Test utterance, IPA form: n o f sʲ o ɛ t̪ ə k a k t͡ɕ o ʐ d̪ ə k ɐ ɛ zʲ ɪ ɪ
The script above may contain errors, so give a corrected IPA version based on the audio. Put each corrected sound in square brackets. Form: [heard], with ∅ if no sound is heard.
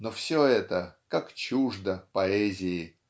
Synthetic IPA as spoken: n o f sʲ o ɛ t̪ ə k a k t͡ɕ [u] ʐ d̪ ə [p] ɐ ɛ zʲ ɪ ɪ